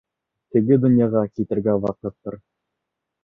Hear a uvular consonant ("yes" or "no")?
yes